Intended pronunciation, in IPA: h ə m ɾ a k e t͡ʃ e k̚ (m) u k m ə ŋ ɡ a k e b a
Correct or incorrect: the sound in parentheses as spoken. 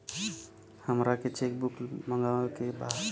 incorrect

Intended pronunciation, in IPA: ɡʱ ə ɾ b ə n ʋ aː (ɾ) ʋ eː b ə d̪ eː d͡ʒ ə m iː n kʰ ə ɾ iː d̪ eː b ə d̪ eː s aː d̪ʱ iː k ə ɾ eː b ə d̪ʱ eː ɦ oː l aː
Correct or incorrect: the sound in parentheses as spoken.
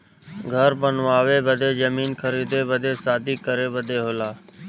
incorrect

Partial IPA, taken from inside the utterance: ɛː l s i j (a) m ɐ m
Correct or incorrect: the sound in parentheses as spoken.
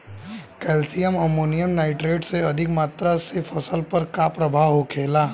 incorrect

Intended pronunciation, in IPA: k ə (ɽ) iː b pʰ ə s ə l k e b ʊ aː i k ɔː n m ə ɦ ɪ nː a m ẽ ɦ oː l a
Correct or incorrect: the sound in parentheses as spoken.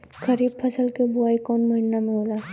incorrect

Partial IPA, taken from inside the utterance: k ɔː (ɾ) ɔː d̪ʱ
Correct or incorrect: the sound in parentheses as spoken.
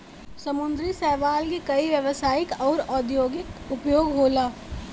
correct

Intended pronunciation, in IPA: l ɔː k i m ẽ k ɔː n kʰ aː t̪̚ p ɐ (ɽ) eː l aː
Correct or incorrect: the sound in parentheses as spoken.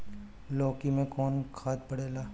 correct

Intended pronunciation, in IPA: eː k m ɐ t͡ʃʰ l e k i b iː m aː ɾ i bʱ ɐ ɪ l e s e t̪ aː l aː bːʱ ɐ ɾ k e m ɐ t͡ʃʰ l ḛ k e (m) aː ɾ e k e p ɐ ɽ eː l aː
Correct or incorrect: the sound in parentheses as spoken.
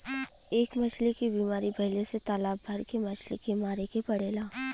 correct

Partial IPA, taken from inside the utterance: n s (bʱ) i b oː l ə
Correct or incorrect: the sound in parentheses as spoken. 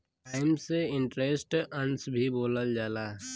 correct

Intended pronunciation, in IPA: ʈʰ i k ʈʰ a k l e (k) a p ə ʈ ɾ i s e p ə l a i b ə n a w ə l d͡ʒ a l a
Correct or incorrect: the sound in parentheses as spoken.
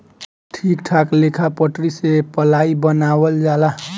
incorrect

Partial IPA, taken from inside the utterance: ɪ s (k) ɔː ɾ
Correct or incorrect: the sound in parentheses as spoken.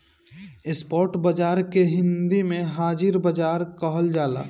incorrect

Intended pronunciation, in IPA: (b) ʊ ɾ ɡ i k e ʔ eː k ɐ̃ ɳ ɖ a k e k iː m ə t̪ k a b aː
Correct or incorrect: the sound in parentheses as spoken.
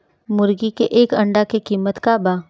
incorrect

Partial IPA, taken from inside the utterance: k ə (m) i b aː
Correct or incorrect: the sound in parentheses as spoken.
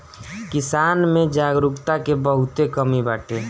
correct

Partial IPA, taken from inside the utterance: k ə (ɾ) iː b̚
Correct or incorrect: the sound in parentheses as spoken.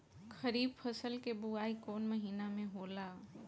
correct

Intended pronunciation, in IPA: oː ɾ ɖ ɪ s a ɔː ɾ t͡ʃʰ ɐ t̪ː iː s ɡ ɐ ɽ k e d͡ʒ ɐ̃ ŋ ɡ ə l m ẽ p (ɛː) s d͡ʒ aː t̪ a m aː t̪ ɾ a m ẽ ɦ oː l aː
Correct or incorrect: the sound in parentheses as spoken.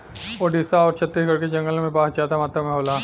incorrect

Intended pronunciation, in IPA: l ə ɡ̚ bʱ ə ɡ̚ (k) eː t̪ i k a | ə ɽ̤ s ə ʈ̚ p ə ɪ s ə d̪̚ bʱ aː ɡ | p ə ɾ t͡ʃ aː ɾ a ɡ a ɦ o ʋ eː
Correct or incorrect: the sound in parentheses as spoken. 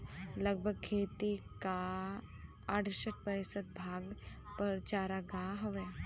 incorrect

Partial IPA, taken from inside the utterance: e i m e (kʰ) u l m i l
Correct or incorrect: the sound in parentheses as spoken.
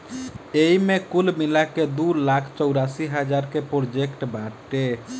incorrect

